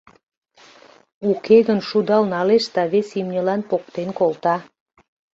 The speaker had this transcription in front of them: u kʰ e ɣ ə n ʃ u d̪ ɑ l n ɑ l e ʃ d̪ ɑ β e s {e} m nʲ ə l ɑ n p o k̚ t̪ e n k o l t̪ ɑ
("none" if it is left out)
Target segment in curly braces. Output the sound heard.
i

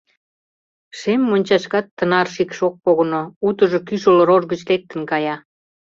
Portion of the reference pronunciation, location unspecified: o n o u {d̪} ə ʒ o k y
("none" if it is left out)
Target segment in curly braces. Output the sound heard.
t̪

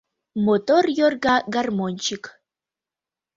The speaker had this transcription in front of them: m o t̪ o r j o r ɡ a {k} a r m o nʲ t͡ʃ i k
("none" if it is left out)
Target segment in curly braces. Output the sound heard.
ɡ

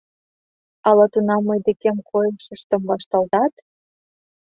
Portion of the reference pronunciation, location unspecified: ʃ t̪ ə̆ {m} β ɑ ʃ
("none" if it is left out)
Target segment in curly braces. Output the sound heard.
m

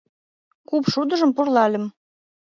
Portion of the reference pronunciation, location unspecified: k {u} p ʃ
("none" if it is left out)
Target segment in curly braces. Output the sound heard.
u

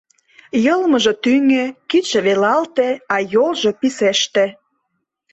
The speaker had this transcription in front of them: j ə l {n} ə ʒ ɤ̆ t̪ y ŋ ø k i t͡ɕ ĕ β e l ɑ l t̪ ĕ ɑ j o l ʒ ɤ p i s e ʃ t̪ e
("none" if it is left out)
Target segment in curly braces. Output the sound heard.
m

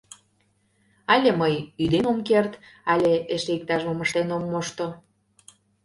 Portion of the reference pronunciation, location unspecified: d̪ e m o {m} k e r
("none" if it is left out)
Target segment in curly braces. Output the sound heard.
m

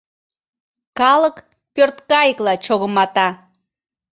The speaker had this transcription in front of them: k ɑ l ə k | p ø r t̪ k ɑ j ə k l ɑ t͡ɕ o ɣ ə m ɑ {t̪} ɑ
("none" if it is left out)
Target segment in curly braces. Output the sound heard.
t̪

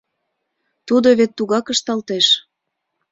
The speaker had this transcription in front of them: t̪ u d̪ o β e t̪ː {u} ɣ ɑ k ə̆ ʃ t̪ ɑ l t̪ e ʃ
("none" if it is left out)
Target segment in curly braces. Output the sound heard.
u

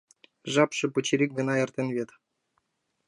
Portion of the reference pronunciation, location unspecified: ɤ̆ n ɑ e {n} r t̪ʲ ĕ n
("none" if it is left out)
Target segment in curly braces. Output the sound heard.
none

